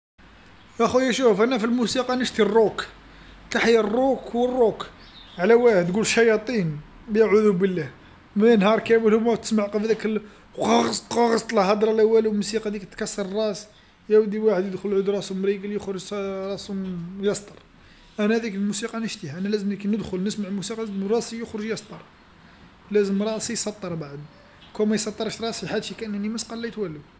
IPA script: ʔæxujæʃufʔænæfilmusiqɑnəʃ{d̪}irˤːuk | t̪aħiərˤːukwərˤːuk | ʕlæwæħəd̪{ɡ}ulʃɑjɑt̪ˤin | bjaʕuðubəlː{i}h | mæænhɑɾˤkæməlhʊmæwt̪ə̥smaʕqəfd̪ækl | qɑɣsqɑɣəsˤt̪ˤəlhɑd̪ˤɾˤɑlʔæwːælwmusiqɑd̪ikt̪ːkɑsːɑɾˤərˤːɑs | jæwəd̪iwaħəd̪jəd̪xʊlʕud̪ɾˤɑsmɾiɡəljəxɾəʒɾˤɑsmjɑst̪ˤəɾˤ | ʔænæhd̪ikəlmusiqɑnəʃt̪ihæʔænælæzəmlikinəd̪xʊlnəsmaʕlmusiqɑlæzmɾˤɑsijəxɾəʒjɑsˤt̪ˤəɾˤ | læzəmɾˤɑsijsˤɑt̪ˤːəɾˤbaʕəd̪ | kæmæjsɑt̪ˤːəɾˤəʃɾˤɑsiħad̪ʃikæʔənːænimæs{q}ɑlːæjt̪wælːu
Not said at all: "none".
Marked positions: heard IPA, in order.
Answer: t̪, ɡ, æ, q

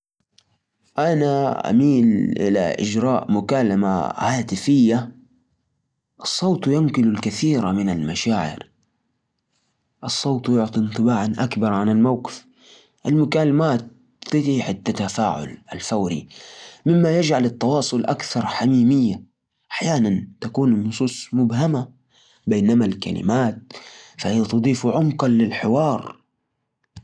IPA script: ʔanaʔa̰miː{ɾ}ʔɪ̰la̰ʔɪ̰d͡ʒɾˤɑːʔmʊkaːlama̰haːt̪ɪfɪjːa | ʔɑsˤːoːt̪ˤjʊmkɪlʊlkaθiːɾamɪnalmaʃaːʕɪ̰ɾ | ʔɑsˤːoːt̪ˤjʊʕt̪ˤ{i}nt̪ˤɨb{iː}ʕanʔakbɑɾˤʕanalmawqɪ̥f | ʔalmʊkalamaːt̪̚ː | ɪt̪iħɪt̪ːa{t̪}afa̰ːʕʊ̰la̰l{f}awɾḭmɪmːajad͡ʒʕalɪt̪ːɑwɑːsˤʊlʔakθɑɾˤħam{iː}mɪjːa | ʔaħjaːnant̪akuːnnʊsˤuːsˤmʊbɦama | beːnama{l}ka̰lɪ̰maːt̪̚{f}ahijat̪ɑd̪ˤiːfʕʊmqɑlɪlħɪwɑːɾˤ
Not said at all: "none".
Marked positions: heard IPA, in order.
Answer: l, i, aː, t̪, f, iː, l, f

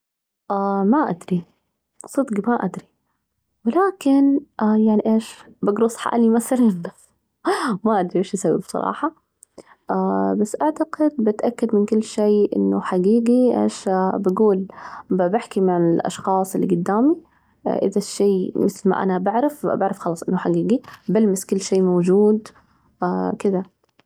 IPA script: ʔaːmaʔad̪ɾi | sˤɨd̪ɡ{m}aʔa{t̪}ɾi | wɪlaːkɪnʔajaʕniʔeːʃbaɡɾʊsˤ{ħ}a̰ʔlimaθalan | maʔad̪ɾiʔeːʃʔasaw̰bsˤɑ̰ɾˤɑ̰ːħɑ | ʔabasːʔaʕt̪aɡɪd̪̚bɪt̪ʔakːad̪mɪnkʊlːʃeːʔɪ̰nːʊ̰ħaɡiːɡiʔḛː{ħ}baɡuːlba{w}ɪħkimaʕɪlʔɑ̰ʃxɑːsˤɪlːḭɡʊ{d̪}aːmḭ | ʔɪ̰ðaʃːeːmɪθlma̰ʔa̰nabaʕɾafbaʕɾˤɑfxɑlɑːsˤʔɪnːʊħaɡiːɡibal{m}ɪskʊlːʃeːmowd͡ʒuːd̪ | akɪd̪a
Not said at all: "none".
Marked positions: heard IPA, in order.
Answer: m, d̪, ħ, ʃ, b, d̪ː, m

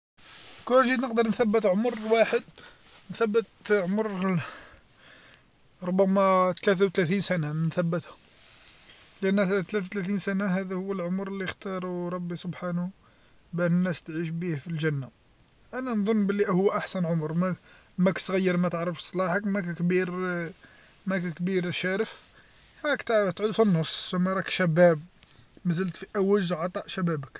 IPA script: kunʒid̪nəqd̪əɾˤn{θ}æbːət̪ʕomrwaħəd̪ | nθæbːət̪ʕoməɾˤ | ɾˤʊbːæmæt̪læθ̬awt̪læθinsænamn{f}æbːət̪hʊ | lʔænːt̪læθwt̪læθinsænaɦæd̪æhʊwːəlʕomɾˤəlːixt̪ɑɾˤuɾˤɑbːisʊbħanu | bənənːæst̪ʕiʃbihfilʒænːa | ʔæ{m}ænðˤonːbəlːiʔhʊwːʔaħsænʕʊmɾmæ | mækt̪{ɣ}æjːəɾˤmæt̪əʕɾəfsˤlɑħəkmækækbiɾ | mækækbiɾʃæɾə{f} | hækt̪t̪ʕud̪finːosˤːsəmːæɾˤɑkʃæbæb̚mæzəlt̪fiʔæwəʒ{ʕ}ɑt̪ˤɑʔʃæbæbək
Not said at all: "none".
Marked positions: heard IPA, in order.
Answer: θ, θ, n, ɣ, f, ʕ

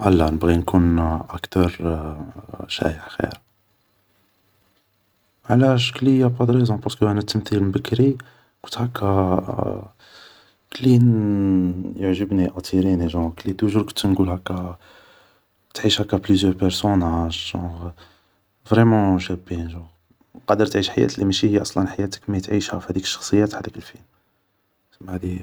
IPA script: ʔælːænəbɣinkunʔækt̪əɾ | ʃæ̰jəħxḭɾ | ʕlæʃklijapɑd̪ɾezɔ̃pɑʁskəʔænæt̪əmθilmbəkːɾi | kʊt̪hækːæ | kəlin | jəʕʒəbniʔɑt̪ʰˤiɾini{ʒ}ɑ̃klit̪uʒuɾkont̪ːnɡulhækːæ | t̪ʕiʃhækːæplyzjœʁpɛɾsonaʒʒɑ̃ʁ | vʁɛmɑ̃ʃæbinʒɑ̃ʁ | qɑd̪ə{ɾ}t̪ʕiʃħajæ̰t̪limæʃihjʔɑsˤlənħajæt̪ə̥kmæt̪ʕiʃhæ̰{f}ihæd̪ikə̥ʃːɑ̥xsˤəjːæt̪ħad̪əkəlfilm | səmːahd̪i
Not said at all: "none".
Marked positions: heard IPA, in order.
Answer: ʒ, ɾ, f

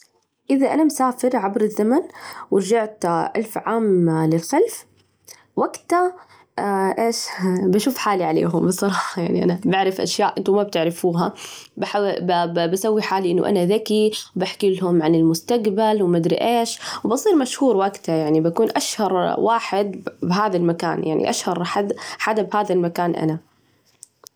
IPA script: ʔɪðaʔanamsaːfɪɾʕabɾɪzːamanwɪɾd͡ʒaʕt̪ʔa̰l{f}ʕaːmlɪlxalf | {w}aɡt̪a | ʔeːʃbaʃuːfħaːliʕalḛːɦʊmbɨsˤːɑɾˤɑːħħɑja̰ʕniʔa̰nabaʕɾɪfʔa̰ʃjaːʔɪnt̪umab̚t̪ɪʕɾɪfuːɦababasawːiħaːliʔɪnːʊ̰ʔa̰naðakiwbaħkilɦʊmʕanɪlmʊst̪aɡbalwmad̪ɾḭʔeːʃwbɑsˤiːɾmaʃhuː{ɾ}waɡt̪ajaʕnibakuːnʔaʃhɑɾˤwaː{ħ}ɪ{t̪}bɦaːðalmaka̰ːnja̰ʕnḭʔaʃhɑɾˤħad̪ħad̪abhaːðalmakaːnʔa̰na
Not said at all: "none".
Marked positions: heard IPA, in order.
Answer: f, w, ɾ, ħ, d̪

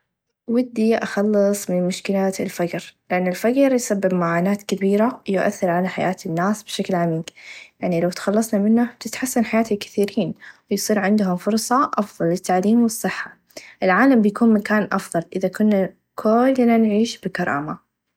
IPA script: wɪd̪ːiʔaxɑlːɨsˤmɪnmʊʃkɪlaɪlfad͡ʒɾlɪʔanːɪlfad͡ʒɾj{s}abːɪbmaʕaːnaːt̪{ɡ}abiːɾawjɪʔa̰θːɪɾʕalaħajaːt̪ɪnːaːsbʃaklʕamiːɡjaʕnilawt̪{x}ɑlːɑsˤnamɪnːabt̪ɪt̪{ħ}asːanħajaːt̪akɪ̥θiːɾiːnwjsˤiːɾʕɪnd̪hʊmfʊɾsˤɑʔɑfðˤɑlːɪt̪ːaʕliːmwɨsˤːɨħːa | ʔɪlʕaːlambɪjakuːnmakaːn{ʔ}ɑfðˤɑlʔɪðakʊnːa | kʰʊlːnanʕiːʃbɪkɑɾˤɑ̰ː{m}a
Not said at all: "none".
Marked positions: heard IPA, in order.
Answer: s, k, x, ħ, ʔ, m

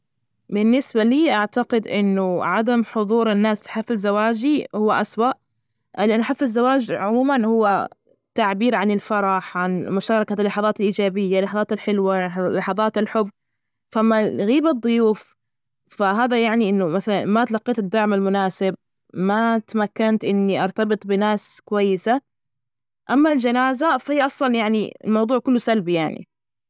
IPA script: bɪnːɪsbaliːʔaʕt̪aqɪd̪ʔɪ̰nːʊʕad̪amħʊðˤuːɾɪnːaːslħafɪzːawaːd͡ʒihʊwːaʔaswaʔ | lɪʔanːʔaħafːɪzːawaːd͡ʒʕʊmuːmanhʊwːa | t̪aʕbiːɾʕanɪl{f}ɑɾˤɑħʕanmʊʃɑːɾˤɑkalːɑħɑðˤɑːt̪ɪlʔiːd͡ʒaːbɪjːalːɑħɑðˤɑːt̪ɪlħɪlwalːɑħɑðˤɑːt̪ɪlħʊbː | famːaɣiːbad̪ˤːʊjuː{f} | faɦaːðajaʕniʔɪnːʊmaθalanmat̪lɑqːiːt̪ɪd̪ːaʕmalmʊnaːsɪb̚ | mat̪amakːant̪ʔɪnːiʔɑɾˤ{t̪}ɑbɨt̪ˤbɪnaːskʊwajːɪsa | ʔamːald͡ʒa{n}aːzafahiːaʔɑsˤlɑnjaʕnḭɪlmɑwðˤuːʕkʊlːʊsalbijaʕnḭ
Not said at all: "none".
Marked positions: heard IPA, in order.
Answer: f, f, t̪, n

